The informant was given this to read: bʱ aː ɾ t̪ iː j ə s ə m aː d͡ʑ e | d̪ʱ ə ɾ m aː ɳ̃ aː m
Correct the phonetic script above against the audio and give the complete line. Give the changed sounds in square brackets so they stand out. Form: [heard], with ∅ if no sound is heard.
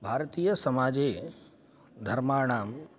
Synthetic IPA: bʱ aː ɾ t̪ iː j ə s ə m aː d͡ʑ e | d̪ʱ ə ɾ m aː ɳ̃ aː m